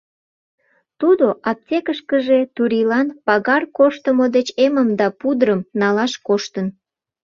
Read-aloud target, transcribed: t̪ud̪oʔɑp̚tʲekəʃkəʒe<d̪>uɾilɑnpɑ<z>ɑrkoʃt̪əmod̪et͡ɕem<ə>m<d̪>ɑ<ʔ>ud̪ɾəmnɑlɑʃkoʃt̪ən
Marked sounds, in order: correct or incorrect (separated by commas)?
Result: incorrect, incorrect, correct, correct, incorrect